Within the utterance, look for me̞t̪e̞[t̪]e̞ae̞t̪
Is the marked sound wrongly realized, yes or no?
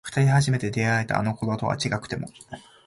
yes